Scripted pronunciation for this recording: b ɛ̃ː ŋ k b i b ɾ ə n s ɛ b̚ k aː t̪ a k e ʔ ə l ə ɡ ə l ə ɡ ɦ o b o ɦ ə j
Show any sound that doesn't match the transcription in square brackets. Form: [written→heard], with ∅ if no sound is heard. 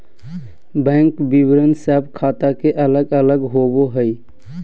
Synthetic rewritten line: b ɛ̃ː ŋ k b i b ɾ ə n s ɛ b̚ [k→kʰ] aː t̪ a k e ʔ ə l ə ɡ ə l ə ɡ ɦ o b o ɦ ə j